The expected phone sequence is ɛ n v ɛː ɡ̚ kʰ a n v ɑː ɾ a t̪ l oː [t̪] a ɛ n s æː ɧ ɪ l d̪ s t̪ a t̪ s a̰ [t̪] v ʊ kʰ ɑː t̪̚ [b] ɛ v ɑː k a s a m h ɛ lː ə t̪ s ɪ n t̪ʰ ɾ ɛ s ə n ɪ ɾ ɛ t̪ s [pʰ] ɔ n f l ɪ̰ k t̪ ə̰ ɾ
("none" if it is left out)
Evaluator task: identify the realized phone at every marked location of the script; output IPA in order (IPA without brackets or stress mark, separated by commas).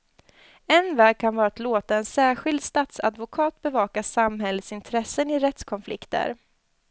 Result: t̪, d̪, b, kʰ